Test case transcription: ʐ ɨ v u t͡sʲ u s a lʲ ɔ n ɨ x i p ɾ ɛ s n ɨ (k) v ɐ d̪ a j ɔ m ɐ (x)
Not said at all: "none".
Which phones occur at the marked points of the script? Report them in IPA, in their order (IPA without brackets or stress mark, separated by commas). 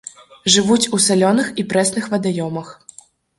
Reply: x, x